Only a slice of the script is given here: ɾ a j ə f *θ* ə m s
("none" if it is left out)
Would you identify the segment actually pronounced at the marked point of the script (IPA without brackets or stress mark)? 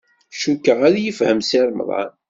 h